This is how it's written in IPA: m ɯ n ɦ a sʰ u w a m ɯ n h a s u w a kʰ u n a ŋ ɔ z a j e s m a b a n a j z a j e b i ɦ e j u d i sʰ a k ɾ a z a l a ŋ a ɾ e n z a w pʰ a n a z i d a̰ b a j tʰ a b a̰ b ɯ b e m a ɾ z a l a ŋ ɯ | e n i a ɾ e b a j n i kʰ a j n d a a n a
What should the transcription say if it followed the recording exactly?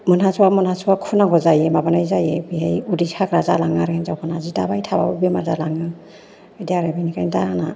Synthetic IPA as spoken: m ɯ n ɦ a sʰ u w a m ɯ n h a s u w a kʰ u n a ɡ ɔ z a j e m a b a n a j z a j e b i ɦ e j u d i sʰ a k ɾ a z a l a ŋ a ɾ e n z a w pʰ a n a z i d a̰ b a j tʰ a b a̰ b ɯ b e m a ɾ z a l a ŋ ɯ | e d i a ɾ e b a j n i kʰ a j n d a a n a